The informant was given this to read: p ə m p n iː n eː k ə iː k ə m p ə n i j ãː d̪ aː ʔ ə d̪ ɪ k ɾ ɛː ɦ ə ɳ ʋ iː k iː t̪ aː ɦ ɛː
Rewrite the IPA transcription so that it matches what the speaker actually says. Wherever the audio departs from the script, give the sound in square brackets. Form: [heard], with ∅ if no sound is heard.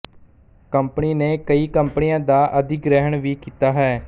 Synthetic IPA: [k] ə m p n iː n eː k ə iː k ə m p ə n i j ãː d̪ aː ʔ ə d̪ ɪ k ɾ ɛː ɦ ə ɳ ʋ iː k iː t̪ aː ɦ ɛː